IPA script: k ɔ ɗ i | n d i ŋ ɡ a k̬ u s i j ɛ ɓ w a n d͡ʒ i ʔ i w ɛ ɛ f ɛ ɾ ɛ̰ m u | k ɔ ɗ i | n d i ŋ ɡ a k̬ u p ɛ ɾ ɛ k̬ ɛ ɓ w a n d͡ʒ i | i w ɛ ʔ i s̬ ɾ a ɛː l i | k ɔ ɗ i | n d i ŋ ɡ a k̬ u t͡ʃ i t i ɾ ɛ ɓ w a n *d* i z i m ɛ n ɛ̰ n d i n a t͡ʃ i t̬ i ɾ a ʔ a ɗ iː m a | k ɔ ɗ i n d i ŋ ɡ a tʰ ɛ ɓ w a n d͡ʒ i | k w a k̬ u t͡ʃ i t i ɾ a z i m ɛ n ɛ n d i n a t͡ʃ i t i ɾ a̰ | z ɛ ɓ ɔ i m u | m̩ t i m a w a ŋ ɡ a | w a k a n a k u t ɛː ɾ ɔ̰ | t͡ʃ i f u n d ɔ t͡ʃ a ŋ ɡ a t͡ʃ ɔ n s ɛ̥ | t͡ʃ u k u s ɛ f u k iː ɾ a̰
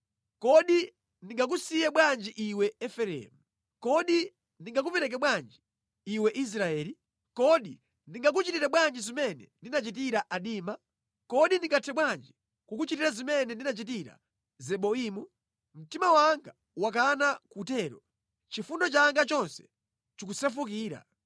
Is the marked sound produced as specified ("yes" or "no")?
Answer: no